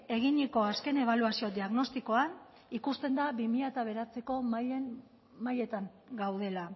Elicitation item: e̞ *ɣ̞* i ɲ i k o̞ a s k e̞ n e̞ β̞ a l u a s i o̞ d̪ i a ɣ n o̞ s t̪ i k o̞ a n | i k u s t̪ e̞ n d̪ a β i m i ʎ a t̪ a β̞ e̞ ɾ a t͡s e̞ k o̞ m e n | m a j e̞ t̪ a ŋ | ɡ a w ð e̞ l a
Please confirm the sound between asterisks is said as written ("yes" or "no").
yes